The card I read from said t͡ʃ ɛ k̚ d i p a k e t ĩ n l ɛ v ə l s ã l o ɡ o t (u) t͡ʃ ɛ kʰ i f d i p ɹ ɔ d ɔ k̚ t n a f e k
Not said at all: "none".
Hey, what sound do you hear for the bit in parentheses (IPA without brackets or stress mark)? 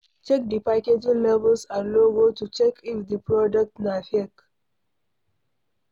u